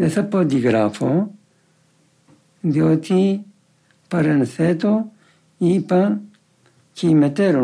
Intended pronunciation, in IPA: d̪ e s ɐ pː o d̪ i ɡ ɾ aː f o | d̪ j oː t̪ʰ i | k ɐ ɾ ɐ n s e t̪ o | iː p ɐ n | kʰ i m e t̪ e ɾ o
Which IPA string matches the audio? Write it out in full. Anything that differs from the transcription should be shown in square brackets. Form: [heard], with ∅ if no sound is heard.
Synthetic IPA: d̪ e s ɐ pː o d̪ i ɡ ɾ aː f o | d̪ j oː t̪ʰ i | [p] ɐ ɾ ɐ n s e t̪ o | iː p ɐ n | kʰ i m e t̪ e ɾ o